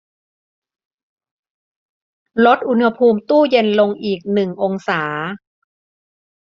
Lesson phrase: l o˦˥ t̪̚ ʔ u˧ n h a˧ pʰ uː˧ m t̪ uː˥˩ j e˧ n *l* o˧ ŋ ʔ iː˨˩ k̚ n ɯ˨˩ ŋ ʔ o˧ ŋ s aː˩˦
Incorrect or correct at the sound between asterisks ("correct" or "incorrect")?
correct